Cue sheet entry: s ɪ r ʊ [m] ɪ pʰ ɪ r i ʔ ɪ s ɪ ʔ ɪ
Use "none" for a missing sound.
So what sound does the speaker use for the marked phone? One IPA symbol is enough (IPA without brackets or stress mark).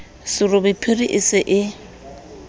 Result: b